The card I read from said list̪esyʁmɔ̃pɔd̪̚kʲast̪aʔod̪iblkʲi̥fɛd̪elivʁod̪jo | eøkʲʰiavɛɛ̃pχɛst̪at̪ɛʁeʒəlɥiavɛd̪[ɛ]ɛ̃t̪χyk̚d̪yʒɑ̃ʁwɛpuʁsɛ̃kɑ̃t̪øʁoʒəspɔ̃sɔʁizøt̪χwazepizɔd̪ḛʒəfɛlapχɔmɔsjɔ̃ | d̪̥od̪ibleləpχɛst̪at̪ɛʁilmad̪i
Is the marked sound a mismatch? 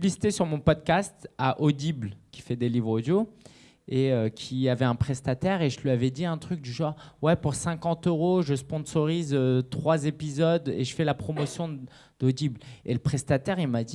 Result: yes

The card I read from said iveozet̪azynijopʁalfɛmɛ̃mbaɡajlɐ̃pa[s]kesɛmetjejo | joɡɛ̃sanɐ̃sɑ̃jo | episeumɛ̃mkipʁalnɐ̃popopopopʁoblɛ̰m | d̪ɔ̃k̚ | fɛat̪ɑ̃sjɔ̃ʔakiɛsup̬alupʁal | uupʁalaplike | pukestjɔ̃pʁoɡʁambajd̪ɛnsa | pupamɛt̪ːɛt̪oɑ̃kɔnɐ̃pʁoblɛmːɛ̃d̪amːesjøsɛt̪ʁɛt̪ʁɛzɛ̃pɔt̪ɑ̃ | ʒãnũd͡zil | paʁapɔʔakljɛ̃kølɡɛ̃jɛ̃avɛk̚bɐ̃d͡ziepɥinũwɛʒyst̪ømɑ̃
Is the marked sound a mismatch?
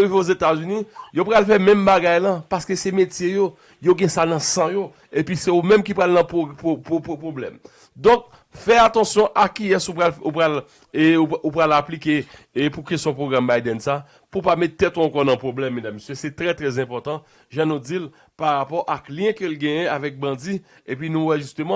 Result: no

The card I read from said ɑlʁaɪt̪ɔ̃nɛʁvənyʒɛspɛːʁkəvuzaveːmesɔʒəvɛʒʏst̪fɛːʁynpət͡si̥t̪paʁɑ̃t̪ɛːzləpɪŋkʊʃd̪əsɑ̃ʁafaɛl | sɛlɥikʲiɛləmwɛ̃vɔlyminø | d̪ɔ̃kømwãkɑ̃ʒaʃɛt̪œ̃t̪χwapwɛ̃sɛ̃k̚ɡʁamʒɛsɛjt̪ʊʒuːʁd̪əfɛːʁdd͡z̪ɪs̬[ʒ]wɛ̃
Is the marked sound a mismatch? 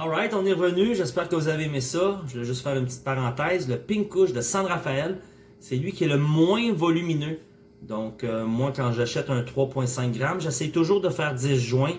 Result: no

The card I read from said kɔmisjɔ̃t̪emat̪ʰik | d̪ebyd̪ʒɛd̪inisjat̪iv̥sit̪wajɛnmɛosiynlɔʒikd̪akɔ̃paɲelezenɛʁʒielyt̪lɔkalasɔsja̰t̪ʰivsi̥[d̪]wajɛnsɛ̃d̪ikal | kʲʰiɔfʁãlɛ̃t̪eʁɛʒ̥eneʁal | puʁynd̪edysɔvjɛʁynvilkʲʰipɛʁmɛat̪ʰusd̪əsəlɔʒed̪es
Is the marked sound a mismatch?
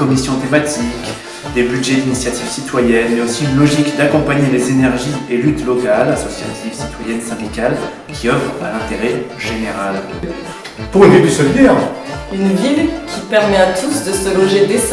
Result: yes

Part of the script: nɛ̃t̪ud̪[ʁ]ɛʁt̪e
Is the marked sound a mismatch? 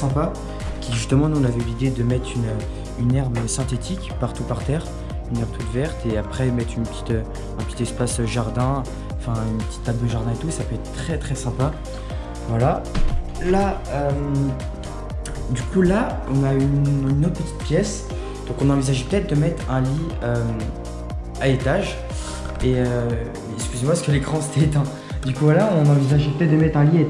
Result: yes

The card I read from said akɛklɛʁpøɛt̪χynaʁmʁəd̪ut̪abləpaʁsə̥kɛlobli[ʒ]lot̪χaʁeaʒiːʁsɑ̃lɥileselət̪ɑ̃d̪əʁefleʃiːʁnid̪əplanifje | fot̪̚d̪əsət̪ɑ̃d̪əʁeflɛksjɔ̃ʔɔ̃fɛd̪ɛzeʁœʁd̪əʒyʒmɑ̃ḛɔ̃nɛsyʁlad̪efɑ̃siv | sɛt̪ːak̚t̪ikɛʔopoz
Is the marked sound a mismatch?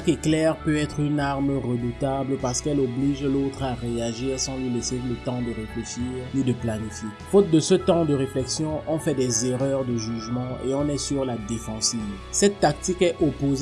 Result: no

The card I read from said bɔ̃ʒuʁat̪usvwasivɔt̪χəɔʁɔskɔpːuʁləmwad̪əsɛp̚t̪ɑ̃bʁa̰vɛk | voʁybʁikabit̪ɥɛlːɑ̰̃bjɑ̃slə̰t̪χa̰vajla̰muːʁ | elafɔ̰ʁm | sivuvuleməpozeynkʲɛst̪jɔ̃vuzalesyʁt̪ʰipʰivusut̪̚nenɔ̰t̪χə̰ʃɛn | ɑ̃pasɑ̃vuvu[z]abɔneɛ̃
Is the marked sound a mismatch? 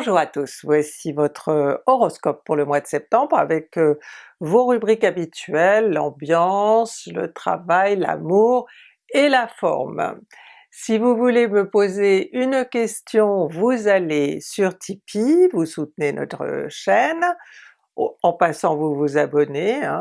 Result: no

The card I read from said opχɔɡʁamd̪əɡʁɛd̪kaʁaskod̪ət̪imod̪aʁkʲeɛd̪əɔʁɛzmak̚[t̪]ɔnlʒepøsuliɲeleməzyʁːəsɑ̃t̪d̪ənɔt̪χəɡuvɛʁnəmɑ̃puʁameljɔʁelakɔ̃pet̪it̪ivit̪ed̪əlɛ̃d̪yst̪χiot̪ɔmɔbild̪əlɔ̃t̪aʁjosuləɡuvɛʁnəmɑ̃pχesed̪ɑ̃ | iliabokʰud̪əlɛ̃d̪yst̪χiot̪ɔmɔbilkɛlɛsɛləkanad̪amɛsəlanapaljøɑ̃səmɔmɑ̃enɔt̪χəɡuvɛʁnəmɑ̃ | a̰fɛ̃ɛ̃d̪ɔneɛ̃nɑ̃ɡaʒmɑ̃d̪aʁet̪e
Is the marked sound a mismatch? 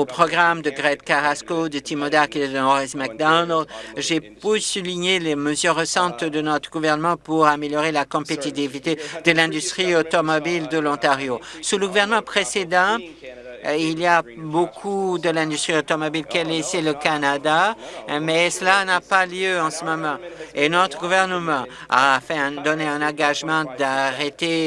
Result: yes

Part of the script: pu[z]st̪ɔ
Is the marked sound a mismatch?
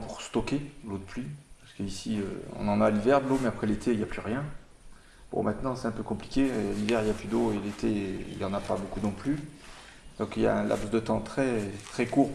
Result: yes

